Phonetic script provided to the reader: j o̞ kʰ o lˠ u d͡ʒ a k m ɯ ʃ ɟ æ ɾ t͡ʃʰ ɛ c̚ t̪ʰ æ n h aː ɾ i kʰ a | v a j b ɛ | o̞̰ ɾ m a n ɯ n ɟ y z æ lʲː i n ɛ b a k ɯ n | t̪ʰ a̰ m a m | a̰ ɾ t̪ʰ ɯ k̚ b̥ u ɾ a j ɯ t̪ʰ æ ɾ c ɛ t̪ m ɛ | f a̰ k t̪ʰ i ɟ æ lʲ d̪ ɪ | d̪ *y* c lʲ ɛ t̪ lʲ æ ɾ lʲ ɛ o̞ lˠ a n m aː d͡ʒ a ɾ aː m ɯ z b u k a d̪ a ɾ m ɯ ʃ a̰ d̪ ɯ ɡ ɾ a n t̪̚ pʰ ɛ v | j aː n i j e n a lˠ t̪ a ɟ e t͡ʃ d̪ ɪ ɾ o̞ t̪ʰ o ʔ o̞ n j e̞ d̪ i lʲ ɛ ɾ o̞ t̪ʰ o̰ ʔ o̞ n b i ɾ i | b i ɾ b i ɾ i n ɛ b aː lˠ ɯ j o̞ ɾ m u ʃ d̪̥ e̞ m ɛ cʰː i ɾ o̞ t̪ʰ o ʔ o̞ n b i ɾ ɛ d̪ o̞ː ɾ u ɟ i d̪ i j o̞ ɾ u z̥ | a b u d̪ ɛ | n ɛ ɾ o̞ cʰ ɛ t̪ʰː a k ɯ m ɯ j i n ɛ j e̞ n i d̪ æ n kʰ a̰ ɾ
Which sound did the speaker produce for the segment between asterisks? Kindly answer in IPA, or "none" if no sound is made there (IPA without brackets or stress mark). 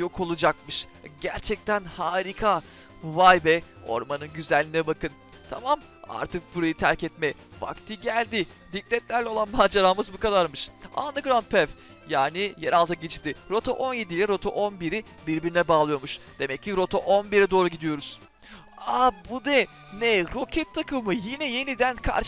i